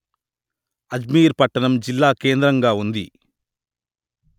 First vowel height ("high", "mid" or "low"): low